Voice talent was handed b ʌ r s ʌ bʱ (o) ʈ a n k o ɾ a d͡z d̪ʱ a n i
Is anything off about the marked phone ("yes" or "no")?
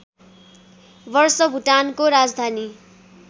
yes